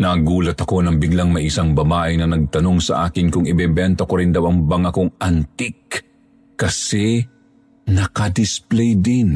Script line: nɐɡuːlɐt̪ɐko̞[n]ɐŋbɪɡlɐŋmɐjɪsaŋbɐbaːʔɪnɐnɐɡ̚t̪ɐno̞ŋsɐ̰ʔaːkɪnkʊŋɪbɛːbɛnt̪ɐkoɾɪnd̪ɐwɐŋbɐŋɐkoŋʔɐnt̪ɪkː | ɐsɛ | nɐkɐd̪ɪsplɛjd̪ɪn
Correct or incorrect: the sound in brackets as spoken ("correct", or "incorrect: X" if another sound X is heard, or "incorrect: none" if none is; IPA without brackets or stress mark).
correct